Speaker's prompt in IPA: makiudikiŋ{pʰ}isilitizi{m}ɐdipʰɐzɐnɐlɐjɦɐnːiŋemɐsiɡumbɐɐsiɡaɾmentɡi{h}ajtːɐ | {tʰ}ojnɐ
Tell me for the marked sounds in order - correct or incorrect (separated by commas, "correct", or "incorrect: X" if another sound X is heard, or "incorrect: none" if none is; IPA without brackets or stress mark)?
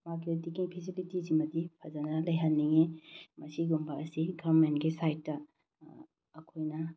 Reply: correct, correct, incorrect: s, incorrect: kʰ